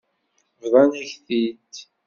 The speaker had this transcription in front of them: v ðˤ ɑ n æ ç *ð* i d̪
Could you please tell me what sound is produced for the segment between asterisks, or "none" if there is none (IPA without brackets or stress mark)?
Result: θ